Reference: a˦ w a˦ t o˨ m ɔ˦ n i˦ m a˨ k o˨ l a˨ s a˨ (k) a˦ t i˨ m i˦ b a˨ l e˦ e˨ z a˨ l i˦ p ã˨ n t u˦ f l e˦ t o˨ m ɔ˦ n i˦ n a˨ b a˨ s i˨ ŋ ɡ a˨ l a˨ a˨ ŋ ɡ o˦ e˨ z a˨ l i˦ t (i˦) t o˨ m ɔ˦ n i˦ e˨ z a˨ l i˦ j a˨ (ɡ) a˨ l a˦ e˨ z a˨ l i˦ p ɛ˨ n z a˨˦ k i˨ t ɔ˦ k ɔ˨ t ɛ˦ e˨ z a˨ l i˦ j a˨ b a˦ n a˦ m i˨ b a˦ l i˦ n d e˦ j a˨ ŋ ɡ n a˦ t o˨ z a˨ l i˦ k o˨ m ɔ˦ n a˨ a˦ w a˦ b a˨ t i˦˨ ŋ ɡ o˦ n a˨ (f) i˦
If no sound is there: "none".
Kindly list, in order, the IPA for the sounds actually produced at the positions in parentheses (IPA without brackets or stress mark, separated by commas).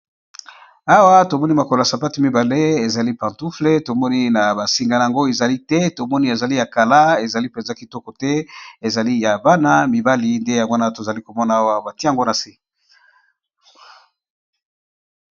p, ɛ˦, k, s